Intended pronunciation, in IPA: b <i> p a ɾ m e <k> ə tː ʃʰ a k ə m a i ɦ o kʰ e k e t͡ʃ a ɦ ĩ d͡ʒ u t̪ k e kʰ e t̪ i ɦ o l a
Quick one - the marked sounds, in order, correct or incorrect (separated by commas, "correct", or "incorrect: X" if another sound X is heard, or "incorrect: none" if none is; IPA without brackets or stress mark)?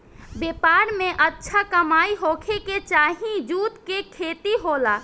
incorrect: e, incorrect: ʔ